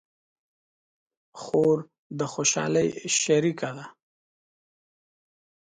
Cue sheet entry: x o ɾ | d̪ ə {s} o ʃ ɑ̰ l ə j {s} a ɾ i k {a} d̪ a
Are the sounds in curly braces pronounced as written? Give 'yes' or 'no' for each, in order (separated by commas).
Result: no, no, yes